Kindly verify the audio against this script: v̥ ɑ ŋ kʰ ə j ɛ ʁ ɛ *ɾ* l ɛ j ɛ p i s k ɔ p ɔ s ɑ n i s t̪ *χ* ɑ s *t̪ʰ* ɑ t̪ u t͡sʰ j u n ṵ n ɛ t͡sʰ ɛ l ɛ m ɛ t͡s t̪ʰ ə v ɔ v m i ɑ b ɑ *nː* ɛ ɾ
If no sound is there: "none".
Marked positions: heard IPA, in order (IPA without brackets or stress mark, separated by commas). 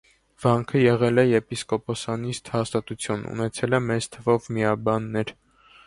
none, h, t̪, nː